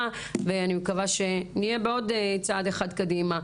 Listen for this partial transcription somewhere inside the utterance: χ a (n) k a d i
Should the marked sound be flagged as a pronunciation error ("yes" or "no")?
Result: yes